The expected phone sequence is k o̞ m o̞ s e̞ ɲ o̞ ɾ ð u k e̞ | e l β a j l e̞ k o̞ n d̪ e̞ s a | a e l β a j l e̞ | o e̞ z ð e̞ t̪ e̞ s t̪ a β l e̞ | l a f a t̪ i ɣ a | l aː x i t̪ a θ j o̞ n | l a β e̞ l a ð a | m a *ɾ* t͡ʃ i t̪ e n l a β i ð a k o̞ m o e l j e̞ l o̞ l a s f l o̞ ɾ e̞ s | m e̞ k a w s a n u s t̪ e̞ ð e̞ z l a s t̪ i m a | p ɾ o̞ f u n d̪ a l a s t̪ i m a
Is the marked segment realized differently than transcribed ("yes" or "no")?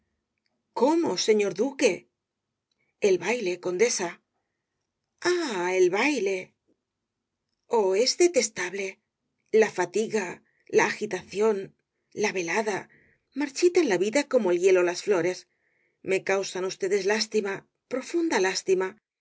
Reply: no